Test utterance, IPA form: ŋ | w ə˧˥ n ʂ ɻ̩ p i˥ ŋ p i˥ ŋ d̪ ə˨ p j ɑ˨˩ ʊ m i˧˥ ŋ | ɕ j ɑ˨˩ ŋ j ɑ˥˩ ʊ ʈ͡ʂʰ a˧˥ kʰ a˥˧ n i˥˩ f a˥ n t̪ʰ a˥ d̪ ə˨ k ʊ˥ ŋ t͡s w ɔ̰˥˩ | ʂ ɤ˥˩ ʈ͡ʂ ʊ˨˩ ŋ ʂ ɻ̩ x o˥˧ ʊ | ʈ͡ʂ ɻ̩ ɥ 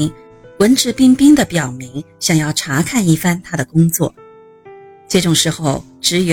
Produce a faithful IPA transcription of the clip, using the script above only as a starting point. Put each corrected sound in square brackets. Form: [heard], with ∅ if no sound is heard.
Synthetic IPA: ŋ | w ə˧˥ n [ʈ͡ʂ] ɻ̩ p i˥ ŋ p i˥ ŋ d̪ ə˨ p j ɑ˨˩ ʊ m i˧˥ ŋ | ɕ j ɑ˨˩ ŋ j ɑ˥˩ ʊ ʈ͡ʂʰ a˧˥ kʰ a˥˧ n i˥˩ f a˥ n t̪ʰ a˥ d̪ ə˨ k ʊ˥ ŋ t͡s w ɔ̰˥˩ | [ʈ͡ʂ] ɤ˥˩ ʈ͡ʂ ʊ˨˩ ŋ ʂ ɻ̩ x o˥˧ ʊ | ʈ͡ʂ ɻ̩ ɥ